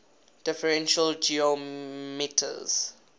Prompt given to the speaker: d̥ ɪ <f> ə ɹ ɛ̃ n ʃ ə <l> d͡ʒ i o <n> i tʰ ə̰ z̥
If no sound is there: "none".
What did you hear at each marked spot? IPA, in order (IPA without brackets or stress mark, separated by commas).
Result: f, l, m